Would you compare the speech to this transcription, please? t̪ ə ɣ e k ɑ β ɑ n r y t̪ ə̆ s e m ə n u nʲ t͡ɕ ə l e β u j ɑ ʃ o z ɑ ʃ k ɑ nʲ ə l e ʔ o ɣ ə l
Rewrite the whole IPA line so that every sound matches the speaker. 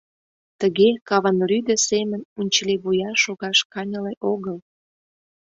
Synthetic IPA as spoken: t̪ ə ɣ e k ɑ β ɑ n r y d̪ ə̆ s e m ə n u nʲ t͡ɕ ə l e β u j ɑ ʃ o ɣ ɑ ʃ k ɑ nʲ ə l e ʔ o ɣ ə l